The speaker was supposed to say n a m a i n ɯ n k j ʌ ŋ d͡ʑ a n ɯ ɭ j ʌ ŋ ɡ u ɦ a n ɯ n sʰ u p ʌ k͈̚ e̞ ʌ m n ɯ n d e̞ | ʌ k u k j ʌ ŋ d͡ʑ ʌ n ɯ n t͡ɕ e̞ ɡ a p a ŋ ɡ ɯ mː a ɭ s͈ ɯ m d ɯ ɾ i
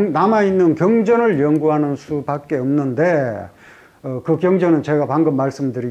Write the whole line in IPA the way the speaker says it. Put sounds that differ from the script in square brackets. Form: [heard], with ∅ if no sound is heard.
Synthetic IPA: n a m a i [nː] ɯ n k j ʌ ŋ d͡ʑ [ʌ] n ɯ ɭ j ʌ ŋ ɡ u ɦ a n ɯ n sʰ u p [a] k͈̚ e̞ ʌ m n ɯ n d e̞ | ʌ k [ɯ] k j ʌ ŋ d͡ʑ ʌ n ɯ n t͡ɕ e̞ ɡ a p a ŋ ɡ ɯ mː a ɭ s͈ ɯ m d ɯ ɾ i